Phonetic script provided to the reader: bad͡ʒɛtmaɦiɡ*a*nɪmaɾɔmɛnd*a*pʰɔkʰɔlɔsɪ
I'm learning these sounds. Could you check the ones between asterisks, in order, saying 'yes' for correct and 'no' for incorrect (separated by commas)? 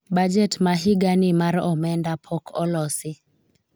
yes, yes